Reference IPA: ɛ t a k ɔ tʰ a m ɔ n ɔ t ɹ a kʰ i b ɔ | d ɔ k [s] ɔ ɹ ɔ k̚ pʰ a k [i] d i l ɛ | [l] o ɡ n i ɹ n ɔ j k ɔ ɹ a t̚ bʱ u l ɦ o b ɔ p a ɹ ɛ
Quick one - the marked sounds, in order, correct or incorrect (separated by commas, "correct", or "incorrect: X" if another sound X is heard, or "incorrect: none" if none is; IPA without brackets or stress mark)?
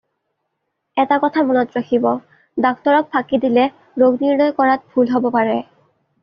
incorrect: t, correct, incorrect: ɹ